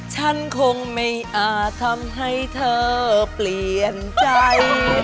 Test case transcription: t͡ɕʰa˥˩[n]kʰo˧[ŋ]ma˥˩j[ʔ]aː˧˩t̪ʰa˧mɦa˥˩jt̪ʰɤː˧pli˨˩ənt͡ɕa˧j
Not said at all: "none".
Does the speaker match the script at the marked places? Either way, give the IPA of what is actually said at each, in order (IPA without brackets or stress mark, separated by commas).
n, ŋ, ʔ